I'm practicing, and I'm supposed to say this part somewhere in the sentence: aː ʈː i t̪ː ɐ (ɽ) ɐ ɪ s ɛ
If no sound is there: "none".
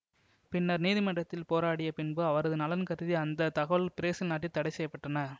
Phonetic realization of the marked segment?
ɽ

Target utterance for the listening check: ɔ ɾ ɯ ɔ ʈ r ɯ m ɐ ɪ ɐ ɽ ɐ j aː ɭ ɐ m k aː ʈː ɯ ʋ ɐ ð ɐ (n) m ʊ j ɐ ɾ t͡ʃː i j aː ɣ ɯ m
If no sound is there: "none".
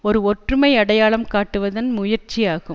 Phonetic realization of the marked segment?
n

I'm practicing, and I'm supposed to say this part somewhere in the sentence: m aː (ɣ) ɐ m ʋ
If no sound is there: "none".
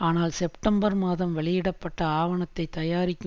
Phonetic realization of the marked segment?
ð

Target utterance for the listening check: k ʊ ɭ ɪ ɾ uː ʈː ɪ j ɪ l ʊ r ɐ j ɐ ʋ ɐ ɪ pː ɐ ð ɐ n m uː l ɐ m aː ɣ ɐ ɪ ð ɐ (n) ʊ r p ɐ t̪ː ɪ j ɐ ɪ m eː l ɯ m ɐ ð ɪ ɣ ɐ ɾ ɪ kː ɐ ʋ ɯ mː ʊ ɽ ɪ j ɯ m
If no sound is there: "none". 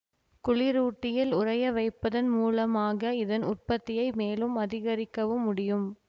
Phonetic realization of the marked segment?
n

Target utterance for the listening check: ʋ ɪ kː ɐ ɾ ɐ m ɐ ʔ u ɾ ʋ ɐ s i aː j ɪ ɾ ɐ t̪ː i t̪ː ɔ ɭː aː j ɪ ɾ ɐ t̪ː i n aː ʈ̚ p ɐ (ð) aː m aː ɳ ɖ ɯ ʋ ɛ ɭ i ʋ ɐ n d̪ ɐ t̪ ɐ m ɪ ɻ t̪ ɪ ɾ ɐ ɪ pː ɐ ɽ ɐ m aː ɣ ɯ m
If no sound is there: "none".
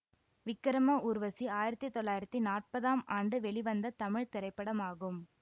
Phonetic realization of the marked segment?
ð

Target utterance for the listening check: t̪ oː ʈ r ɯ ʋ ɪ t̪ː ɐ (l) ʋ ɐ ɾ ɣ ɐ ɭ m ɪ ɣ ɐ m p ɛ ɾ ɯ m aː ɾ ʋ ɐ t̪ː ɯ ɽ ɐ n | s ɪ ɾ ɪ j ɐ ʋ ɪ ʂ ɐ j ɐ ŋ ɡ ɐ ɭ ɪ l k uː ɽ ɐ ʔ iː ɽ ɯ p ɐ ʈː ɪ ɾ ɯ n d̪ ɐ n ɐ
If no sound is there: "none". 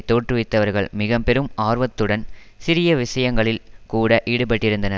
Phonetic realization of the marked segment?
none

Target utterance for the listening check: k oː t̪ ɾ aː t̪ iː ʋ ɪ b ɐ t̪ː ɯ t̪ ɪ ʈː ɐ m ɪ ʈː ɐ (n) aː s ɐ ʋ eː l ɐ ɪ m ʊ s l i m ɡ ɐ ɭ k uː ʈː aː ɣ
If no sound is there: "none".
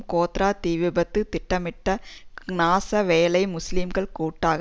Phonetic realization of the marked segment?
n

